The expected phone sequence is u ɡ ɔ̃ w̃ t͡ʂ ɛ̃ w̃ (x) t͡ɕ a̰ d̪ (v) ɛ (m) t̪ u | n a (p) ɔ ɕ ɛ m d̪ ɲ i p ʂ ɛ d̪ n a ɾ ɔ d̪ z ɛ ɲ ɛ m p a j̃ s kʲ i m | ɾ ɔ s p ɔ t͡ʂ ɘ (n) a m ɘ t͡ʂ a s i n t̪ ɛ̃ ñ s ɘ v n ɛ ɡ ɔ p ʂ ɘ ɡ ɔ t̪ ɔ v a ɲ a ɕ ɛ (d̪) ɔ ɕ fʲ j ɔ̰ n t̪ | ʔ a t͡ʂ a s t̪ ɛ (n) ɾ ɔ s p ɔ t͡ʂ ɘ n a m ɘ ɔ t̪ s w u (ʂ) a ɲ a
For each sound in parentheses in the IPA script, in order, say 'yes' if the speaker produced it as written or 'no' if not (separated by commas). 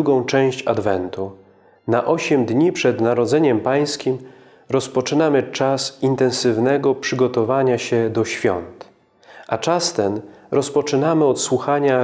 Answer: no, yes, no, no, yes, yes, yes, no